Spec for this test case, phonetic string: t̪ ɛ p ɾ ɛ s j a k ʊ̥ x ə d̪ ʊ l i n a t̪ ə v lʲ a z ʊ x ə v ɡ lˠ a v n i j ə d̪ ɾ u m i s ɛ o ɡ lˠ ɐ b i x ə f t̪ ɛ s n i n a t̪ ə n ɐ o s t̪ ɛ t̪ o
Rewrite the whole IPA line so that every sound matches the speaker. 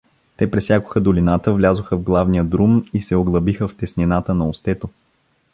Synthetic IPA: t̪ ɛ p ɾ ɛ s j a k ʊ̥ x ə d̪ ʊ l i n a t̪ ə v lʲ a z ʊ x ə v ɡ lˠ a v n i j ə d̪ ɾ u m i s ɛ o ɡ lˠ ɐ b i x ə f t̪ ɛ s n i n a t̪ ə n ɐ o s t̪ ɛ t̪ o